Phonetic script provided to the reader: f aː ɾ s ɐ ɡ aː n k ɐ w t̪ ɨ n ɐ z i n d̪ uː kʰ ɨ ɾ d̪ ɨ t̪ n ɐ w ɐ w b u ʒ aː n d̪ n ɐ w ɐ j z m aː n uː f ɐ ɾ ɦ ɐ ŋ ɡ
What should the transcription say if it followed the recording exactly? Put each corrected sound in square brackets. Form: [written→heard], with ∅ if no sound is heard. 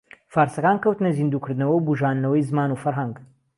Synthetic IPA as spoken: f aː ɾ s ɐ [ɡ→k] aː n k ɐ w t̪ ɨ n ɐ z i n d̪ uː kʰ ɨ ɾ d̪ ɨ [t̪→∅] n ɐ w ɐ w b u ʒ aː n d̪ n ɐ w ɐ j z m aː n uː f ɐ ɾ ɦ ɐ ŋ ɡ

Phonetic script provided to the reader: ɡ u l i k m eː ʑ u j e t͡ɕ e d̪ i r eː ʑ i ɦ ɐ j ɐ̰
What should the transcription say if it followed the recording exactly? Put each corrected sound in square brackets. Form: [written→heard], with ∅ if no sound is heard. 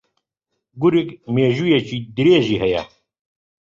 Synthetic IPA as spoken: ɡ u [l→ɾ] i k m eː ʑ u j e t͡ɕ [e→i] d̪ i [r→ɾ] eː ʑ i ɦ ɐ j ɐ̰

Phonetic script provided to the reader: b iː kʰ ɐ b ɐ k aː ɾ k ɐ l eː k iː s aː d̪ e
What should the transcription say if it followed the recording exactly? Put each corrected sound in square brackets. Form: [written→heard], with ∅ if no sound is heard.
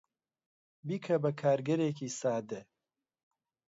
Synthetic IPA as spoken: b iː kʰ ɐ b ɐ [k→kʰ] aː ɾ [k→ɡ] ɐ [l→ɾ] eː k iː s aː d̪ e

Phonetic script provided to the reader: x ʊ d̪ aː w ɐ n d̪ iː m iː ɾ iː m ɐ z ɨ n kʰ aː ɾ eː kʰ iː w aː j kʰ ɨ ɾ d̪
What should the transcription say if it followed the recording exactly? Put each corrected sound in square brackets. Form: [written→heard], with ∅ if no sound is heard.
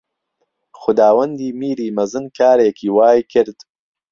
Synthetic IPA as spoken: x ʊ d̪ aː w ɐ n d̪ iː m iː ɾ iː m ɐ z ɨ n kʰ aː ɾ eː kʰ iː w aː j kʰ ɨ ɾ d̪

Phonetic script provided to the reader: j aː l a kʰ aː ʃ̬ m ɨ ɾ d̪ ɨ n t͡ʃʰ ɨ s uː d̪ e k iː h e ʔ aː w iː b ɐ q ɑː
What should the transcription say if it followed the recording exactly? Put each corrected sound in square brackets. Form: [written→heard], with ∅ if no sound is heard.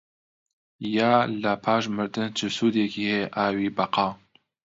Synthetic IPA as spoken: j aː l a [kʰ→pʰ] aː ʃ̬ m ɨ ɾ d̪ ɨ n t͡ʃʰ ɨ s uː d̪ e k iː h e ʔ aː w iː b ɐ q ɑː

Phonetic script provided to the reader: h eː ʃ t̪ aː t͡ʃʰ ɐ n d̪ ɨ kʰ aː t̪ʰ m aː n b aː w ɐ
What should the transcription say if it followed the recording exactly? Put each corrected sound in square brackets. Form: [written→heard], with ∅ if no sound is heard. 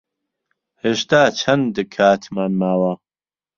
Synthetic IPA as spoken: h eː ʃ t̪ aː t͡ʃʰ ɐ n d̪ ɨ kʰ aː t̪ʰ m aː n [b→m] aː w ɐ

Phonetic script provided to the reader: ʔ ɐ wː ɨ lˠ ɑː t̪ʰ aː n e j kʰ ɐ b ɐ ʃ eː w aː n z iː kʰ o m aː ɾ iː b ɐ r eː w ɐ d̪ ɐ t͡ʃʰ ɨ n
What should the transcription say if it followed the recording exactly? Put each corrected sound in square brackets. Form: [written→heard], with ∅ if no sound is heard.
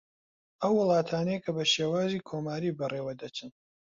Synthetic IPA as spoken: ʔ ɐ wː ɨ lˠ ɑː t̪ʰ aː n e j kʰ ɐ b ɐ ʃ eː w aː [n→∅] z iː kʰ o m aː ɾ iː b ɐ r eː w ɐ d̪ ɐ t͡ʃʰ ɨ n

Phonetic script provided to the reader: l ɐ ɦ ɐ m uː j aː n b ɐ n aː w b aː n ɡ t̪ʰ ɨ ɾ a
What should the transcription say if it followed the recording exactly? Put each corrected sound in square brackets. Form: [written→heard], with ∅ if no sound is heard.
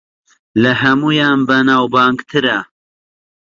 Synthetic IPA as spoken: l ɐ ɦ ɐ m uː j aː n b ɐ n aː w b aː [n→ŋ] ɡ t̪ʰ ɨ ɾ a

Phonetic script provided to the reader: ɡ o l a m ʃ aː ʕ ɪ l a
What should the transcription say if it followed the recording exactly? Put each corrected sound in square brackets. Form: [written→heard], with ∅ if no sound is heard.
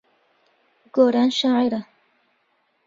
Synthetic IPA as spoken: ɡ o [l→ɾ] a [m→n] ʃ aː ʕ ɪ [l→ɾ] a

